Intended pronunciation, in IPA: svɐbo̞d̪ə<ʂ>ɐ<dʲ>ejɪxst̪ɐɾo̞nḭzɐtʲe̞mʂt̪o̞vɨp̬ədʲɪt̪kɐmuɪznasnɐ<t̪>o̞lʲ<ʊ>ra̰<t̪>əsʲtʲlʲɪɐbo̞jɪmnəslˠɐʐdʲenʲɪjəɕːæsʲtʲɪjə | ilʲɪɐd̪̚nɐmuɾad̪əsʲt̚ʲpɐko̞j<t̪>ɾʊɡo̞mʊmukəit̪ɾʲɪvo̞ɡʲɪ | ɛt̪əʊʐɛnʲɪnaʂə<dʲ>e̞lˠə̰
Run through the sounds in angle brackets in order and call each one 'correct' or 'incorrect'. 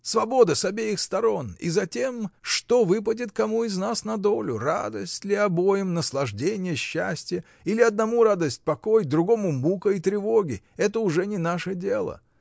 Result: incorrect, incorrect, incorrect, correct, incorrect, incorrect, correct

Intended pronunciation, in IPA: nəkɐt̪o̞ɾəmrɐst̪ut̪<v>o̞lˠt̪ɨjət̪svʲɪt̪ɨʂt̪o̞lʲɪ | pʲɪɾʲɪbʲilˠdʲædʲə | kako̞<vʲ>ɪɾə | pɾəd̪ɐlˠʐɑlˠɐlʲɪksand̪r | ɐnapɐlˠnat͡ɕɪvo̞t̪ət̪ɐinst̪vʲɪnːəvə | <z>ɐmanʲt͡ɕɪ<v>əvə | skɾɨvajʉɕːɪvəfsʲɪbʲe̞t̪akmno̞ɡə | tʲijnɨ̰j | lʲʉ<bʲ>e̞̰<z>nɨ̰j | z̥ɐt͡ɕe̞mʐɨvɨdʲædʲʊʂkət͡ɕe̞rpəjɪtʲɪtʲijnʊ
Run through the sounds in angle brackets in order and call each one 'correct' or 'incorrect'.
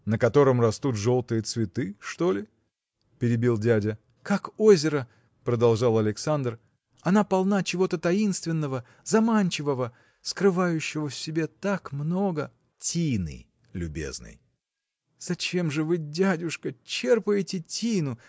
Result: incorrect, incorrect, correct, correct, correct, correct

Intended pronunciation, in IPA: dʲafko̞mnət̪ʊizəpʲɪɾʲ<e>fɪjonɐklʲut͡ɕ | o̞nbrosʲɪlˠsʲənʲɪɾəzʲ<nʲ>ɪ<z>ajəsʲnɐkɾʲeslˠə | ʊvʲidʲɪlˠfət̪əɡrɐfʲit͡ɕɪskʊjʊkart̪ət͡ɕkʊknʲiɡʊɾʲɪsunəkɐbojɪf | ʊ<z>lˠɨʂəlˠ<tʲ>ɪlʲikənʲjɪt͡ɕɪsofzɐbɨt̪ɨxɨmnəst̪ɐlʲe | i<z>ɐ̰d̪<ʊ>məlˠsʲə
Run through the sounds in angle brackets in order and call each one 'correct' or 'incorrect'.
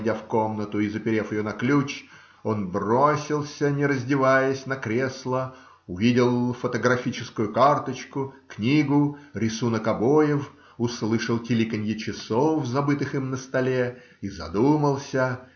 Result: correct, incorrect, incorrect, incorrect, correct, correct, incorrect

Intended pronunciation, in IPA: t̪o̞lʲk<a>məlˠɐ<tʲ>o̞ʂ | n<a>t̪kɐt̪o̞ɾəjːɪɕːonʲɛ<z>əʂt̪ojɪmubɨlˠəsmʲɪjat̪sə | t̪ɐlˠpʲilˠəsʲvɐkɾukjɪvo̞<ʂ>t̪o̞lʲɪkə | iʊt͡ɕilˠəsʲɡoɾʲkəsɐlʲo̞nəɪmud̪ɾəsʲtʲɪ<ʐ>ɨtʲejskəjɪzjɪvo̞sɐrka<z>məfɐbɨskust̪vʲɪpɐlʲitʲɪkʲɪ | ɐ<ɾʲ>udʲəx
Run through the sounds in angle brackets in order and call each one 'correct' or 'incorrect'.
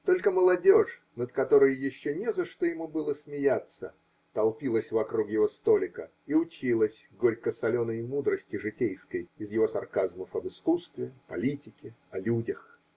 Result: incorrect, incorrect, incorrect, correct, incorrect, correct, correct, incorrect

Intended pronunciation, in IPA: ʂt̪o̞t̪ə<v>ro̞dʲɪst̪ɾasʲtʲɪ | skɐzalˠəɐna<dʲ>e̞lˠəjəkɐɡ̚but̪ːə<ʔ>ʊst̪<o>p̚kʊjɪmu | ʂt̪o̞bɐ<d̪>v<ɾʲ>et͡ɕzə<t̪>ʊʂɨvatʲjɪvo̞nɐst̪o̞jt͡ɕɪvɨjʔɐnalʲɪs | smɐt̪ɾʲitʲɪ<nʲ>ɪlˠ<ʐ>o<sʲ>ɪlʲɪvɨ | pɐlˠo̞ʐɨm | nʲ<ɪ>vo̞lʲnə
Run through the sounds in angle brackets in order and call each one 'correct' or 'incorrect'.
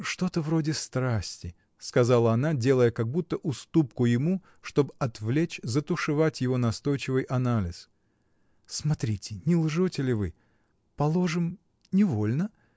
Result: correct, correct, correct, incorrect, incorrect, incorrect, correct, correct, correct, incorrect, correct

